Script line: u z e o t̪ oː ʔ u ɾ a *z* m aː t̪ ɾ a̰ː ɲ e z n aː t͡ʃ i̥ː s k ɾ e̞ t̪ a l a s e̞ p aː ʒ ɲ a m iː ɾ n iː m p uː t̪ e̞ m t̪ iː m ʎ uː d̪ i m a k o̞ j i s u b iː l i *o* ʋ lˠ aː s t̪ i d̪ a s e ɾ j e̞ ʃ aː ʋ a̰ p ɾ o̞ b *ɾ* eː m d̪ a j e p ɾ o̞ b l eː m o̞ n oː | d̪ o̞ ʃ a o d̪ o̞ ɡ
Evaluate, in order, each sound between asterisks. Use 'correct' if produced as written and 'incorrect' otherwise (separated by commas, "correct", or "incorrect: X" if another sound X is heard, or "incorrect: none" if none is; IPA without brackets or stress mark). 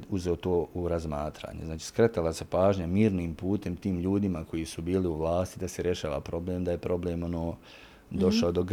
correct, incorrect: u, incorrect: l